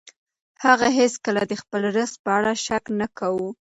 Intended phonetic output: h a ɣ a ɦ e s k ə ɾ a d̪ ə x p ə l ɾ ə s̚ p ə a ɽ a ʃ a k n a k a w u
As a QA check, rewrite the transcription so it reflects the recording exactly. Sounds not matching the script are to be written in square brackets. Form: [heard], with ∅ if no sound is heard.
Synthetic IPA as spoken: h a ɣ a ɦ e s k ə [l] a d̪ ə x p ə l ɾ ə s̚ p ə a ɽ a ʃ a k n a k a w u